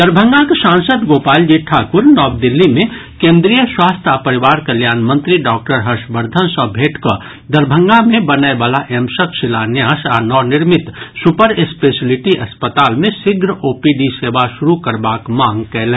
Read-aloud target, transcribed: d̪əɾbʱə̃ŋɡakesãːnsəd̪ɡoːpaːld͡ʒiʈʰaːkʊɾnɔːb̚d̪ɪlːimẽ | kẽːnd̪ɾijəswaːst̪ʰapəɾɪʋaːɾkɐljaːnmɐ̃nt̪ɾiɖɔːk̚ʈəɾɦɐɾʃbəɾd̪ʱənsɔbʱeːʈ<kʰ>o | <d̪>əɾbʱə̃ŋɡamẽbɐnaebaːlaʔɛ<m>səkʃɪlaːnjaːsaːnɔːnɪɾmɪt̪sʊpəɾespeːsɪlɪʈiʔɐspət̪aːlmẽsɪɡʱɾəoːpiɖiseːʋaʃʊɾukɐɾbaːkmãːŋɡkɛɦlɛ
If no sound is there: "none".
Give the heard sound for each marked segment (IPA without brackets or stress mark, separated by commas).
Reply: k, d̪, m